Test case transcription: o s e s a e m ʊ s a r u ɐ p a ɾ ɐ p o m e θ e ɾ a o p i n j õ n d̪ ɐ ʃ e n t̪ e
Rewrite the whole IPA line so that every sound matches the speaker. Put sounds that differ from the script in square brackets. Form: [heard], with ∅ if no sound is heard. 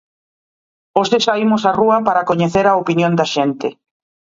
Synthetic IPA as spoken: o s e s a [i] m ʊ s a r u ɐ p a ɾ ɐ [k] o [ɲ] e θ e ɾ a o p i n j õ n d̪ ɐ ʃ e n t̪ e